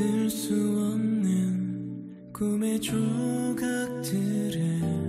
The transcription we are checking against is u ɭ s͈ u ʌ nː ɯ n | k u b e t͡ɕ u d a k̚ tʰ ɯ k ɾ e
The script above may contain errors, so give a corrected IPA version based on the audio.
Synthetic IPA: ɯ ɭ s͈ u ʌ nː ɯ n | k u m e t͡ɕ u ɡ a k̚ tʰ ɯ ɾ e